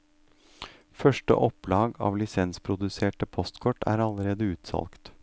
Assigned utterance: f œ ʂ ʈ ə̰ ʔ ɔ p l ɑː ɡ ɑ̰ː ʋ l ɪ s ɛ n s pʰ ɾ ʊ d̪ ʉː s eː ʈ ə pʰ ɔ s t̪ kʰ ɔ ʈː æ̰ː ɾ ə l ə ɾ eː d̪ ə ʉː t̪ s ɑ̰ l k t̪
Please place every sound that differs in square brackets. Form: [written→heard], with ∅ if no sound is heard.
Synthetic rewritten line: f œ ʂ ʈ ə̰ ʔ ɔ p l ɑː ɡ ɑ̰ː ʋ l ɪ s ɛ n s pʰ ɾ ʊ d̪ [ʉː→ʉ] s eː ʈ ə pʰ ɔ s t̪ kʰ ɔ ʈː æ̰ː ɾ [ə→ɑ] l ə ɾ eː d̪ ə ʉː t̪ s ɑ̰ l k t̪

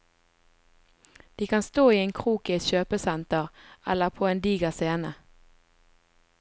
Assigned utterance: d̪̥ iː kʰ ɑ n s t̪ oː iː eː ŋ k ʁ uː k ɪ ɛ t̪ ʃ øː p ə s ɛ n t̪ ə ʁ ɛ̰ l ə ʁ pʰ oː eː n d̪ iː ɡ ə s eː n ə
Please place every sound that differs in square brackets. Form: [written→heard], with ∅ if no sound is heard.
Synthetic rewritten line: d̪̥ iː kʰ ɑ n s t̪ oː iː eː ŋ [k→kʰ] ʁ uː k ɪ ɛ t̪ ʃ øː p ə s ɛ n t̪ ə ʁ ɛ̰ l ə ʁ pʰ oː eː n d̪ iː ɡ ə s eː n ə

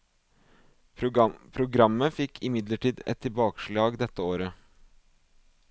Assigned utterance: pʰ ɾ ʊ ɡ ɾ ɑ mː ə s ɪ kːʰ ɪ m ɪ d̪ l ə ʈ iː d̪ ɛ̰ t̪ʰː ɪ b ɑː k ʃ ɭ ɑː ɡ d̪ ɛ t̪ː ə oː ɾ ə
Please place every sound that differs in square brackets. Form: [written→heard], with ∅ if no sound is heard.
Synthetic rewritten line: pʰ ɾ ʊ ɡ ɾ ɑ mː ə [s→f] ɪ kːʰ ɪ m ɪ d̪ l ə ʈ iː d̪ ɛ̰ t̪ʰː ɪ b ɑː k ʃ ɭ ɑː ɡ d̪ ɛ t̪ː ə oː ɾ ə

